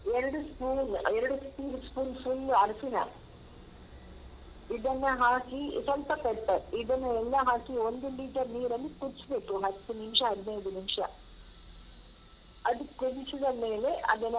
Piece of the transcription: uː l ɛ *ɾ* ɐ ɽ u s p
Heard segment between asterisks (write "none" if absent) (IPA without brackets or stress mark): ɾ